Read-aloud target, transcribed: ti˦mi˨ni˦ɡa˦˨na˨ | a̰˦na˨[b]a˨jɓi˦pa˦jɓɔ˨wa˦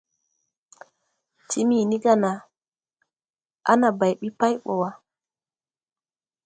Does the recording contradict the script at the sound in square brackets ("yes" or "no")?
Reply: no